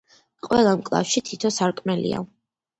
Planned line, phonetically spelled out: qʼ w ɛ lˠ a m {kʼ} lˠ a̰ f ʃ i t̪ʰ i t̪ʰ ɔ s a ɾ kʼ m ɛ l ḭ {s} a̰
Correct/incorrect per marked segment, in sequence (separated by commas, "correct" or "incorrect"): correct, incorrect